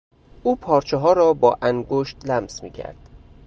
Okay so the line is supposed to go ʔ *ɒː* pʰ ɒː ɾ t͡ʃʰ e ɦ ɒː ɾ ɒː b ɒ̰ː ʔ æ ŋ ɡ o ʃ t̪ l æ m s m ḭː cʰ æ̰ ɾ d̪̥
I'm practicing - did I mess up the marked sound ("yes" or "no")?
yes